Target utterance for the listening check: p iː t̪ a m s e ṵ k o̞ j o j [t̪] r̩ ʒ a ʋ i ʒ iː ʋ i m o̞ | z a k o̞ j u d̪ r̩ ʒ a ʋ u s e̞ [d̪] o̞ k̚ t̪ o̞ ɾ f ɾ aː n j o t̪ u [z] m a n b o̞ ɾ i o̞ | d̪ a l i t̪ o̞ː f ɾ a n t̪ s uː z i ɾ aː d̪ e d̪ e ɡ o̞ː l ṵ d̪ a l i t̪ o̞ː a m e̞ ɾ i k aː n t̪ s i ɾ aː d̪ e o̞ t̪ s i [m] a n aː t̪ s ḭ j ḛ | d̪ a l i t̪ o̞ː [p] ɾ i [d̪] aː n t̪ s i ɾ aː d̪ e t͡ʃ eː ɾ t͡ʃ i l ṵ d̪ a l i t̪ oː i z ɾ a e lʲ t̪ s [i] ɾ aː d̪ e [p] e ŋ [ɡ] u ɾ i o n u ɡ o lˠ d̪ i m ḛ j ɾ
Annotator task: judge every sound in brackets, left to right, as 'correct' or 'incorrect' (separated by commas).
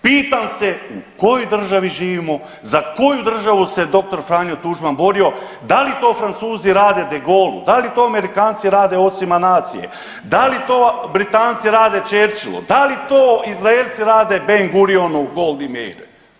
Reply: incorrect, correct, incorrect, correct, incorrect, incorrect, correct, incorrect, correct